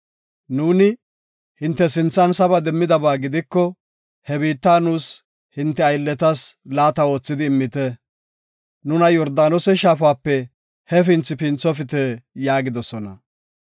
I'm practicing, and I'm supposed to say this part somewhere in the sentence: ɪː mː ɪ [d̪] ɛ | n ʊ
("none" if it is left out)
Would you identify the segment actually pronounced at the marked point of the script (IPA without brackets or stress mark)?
t̪